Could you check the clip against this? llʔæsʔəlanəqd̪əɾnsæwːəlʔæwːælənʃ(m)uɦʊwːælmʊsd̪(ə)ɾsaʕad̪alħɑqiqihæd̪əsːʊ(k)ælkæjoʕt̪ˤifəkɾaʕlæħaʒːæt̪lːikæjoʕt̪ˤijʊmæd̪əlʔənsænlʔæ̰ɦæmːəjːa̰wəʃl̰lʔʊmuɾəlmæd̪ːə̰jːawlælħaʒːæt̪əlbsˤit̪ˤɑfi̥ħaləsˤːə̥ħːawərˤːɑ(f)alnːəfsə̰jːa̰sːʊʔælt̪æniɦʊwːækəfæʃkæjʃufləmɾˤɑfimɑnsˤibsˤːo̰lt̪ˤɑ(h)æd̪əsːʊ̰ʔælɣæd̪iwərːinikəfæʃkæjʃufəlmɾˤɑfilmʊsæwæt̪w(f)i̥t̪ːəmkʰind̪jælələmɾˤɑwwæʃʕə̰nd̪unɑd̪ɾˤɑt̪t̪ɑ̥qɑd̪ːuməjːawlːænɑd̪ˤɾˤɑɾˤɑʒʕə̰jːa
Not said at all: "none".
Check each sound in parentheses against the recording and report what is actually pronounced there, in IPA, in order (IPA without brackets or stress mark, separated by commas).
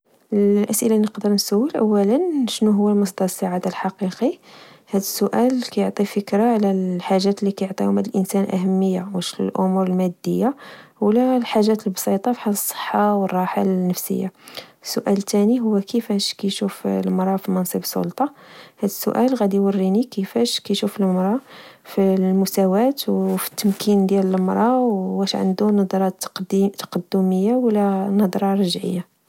n, ɑ, ʔ, ħ, h, f